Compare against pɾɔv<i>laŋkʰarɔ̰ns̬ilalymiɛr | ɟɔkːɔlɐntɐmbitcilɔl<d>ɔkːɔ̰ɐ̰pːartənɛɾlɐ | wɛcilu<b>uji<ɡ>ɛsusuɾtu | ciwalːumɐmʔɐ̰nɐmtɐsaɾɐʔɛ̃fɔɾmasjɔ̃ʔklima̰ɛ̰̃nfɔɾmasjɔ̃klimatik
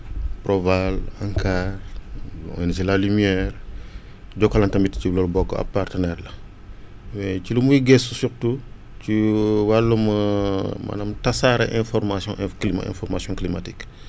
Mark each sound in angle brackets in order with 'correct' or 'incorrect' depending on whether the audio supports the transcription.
incorrect, incorrect, incorrect, correct

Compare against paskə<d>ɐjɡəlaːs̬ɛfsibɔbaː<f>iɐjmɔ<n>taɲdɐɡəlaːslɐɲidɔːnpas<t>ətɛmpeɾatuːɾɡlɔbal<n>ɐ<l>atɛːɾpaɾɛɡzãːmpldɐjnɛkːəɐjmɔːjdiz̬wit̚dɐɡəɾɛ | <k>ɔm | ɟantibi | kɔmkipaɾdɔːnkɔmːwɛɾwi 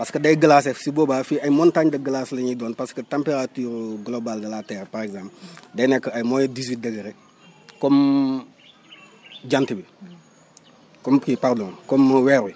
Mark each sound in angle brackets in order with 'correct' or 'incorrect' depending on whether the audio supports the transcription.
correct, correct, correct, incorrect, incorrect, correct, correct

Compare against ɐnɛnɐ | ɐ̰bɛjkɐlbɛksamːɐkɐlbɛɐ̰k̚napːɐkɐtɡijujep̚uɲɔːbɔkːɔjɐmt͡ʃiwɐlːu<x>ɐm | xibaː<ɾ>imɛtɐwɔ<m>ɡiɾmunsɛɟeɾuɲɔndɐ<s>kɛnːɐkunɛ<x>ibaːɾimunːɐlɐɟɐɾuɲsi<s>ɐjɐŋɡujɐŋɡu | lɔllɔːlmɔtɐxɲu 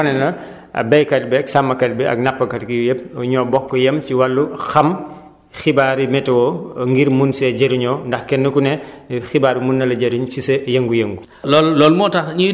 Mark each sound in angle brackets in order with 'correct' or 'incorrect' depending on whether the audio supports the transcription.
correct, correct, incorrect, incorrect, correct, correct

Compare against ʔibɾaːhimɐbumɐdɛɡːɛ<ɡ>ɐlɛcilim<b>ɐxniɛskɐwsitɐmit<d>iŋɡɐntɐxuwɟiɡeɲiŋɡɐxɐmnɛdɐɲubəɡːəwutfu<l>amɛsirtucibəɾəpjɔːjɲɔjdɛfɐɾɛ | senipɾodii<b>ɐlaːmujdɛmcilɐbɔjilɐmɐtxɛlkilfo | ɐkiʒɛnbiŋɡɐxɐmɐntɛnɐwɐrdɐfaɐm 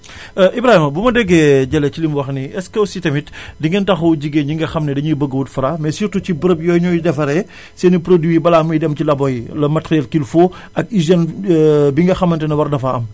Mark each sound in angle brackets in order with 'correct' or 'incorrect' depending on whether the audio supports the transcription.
incorrect, incorrect, correct, incorrect, correct

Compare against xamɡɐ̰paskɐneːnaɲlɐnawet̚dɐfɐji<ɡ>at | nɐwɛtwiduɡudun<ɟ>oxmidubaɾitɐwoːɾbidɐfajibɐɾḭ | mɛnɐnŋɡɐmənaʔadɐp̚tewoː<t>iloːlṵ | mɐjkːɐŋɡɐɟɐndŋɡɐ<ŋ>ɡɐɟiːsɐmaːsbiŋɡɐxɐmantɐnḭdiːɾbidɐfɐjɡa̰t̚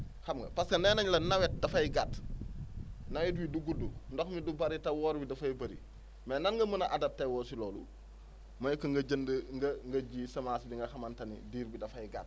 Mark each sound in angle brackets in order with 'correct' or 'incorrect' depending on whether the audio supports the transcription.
correct, incorrect, incorrect, correct

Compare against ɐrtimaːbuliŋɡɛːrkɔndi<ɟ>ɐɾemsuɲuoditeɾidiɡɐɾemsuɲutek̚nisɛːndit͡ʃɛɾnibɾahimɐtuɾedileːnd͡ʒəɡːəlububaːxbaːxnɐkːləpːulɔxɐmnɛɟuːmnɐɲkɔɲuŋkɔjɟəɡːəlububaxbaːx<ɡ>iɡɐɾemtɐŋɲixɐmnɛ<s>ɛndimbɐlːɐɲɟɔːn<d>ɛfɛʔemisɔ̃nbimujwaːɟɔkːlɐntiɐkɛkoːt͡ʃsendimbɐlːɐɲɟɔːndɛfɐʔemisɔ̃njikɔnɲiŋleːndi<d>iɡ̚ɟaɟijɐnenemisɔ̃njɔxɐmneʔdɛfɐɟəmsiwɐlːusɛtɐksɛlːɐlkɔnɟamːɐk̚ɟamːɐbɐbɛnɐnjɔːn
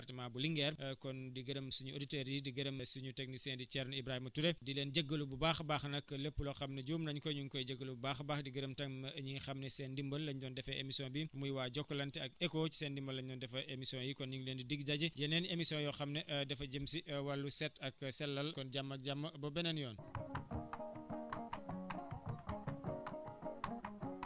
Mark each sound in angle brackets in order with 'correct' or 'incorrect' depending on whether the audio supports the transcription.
incorrect, incorrect, correct, correct, correct

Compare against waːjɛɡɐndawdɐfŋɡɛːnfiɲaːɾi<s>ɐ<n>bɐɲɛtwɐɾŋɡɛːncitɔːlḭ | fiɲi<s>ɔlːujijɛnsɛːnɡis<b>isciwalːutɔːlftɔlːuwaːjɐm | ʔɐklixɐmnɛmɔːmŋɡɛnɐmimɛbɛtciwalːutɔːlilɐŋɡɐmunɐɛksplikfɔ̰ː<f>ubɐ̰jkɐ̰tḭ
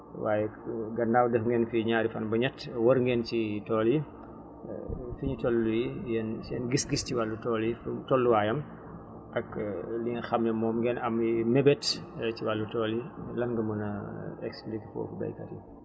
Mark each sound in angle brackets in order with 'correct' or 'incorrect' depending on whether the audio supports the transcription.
incorrect, correct, incorrect, incorrect, correct

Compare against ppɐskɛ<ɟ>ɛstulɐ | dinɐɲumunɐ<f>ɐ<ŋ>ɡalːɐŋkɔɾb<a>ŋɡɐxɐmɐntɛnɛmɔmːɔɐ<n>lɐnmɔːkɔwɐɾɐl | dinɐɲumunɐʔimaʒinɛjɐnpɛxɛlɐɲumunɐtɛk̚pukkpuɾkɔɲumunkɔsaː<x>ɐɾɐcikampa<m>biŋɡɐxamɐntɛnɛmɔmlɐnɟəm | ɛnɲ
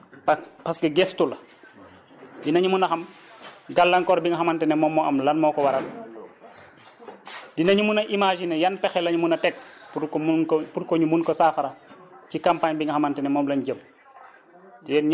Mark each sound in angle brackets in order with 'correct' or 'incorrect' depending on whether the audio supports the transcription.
incorrect, incorrect, incorrect, incorrect, incorrect, incorrect, incorrect

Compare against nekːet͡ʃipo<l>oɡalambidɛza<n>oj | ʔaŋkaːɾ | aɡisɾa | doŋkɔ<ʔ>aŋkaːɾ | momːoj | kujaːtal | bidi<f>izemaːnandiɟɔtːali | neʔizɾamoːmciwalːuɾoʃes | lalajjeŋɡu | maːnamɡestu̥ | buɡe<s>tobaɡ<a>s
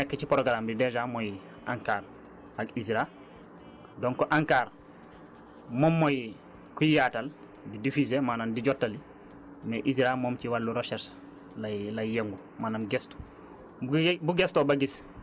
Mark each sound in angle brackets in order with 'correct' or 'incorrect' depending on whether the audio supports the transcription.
incorrect, incorrect, correct, correct, correct, incorrect

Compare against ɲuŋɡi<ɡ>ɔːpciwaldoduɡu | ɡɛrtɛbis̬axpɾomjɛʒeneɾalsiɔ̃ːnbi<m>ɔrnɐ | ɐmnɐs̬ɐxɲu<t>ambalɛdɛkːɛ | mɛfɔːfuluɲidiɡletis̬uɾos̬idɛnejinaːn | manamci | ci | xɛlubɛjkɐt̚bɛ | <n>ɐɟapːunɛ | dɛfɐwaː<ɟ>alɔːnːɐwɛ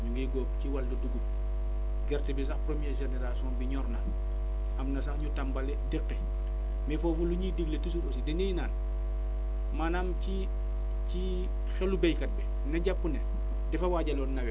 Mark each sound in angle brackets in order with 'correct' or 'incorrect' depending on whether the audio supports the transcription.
correct, incorrect, correct, correct, correct

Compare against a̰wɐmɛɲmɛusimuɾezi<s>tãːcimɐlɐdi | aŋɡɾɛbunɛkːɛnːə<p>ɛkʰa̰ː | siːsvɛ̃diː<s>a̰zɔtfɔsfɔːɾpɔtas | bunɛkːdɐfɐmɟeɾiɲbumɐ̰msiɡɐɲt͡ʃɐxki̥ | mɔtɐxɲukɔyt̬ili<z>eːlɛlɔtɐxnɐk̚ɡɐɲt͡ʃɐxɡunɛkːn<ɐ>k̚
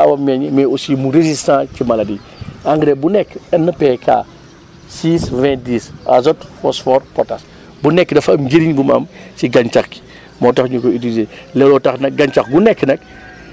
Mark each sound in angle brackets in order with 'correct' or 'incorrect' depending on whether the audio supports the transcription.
correct, correct, correct, correct, correct

